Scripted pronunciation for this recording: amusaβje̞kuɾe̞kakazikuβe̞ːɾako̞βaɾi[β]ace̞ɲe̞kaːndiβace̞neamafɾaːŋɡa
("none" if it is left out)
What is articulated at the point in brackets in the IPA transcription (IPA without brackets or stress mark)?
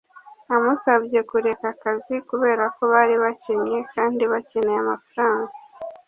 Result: β